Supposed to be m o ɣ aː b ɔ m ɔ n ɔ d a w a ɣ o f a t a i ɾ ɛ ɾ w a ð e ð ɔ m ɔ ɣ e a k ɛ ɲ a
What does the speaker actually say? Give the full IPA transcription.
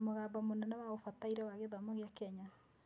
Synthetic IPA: m o ɣ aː b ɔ m o n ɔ n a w a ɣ o f a t a i ɾ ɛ w a ɣ e ð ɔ m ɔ ɣ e a k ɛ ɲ a